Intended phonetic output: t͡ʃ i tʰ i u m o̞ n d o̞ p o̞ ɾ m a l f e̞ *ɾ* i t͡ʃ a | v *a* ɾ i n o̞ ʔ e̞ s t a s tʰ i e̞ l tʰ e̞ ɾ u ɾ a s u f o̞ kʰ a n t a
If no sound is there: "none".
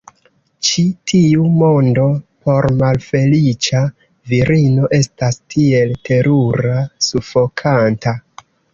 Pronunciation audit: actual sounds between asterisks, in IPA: l, i

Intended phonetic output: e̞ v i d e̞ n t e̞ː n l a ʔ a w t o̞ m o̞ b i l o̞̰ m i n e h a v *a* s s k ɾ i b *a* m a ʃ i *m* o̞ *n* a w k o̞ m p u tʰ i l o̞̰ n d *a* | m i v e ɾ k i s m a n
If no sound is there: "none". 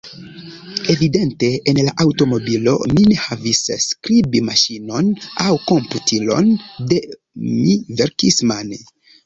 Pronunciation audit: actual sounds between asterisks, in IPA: i, i, n, n, e

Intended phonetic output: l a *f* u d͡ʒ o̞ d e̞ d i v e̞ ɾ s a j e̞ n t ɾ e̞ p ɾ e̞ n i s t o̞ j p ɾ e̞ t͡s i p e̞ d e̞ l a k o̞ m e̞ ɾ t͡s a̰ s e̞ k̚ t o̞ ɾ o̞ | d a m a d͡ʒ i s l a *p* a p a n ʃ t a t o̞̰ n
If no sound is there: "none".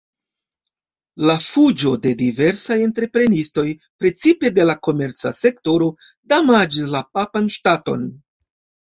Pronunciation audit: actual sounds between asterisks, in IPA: f, p

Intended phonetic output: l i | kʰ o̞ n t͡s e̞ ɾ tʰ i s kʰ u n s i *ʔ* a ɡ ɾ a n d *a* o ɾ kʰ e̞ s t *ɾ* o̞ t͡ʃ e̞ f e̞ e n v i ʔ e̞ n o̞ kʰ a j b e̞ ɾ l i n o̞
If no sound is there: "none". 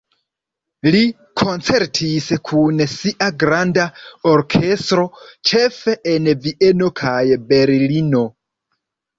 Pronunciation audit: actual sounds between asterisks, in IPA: ʔ, a, ɾ

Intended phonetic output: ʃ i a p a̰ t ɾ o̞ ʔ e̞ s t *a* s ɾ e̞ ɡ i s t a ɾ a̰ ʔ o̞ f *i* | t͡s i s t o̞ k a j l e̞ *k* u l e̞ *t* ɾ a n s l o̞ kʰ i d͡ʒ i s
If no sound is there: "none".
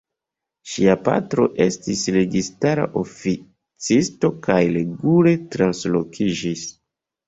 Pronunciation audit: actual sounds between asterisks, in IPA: i, i, ɡ, t

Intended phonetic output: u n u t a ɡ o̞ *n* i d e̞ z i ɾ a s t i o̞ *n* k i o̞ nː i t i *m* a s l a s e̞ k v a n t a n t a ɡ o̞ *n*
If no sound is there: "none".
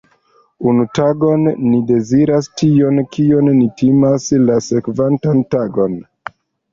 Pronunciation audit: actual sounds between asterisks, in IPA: nː, n, m, n

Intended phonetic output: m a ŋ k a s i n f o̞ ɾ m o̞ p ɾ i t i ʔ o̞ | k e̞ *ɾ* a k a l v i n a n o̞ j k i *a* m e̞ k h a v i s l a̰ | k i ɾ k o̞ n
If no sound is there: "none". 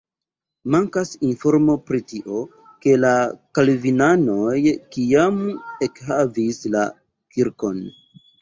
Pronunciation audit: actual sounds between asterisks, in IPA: l, a

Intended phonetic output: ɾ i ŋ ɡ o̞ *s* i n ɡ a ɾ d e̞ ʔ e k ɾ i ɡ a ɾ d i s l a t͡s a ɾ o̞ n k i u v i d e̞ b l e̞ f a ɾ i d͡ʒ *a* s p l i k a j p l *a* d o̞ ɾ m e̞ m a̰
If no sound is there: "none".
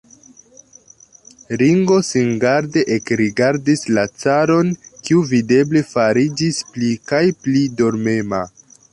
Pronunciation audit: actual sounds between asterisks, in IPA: s, i, i

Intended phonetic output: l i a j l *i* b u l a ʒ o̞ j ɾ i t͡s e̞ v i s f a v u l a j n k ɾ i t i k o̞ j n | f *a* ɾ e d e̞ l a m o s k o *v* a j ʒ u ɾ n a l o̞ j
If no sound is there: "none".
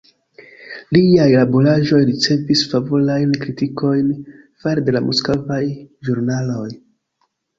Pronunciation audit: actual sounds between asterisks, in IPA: a, a, v

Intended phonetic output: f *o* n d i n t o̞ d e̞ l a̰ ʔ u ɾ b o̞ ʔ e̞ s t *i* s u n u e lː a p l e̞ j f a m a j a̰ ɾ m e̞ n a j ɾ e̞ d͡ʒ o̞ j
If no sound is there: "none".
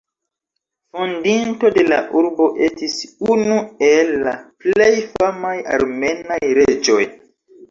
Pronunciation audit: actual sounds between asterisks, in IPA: o, i

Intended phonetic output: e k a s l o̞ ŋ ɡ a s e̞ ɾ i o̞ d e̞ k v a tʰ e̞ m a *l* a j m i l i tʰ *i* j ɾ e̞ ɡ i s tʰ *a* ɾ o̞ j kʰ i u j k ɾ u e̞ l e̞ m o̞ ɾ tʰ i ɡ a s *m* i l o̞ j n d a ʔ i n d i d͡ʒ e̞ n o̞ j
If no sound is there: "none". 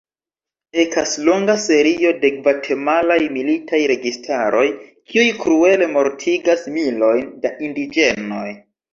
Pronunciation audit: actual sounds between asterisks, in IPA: l, a, a, m

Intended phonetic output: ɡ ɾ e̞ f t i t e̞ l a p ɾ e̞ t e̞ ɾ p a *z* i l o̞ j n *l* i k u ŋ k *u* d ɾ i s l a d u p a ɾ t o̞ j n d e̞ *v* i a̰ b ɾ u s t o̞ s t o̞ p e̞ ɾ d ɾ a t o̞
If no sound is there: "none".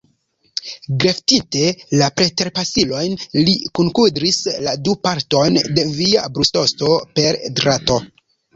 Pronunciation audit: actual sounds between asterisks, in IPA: s, l, u, v

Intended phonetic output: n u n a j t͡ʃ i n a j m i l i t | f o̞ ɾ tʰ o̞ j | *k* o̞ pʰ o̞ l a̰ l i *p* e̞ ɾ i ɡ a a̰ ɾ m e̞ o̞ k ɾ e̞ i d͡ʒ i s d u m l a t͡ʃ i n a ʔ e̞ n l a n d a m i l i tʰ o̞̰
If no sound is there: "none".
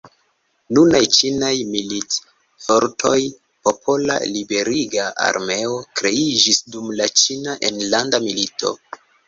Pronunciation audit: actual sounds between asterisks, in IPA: p, b

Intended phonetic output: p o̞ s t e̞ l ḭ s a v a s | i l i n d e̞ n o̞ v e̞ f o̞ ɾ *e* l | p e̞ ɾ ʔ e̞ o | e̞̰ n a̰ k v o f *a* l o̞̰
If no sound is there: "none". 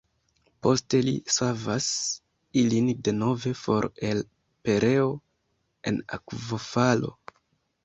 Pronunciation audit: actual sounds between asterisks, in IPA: e, a

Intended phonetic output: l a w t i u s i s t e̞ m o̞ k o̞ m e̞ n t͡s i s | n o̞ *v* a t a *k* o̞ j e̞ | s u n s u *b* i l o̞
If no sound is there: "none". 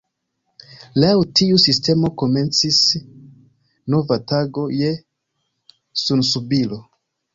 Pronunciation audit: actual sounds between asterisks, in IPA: v, ɡ, b

